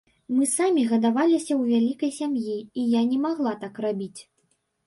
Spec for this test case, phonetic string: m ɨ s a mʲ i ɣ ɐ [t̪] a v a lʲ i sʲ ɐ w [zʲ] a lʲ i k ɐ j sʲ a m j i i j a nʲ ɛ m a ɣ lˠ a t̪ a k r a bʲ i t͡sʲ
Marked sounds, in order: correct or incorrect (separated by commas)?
incorrect, incorrect